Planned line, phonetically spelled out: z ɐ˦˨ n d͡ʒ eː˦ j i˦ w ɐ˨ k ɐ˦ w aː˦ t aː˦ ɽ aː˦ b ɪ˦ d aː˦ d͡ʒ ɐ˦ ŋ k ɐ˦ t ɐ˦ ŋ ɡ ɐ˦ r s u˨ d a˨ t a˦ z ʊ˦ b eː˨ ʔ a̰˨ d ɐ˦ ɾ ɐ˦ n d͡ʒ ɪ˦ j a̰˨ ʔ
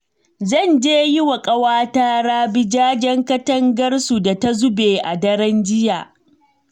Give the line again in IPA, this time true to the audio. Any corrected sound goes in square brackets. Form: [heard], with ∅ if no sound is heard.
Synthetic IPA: z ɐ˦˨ n d͡ʒ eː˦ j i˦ w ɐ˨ [kʼ] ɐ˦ w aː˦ t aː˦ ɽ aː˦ b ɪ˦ [d͡ʒ] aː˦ d͡ʒ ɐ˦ ŋ k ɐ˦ t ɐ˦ ŋ ɡ ɐ˦ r s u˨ d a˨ t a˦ z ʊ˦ b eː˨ ʔ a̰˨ d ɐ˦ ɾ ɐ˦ n d͡ʒ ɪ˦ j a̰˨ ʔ